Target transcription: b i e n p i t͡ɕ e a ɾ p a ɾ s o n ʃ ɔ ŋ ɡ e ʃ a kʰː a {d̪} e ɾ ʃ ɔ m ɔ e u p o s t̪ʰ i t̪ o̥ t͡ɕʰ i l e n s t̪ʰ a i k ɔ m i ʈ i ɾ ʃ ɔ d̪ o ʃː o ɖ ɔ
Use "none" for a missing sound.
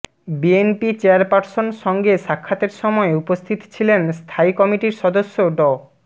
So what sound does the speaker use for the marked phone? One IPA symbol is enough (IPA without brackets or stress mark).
t̪